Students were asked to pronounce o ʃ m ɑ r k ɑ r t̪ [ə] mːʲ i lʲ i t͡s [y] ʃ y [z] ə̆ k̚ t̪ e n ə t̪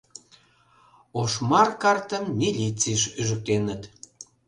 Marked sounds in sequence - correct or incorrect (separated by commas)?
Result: correct, incorrect, incorrect